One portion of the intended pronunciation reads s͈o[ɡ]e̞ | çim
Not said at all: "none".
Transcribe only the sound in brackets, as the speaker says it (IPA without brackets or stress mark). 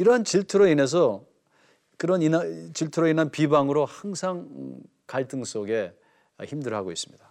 ɡ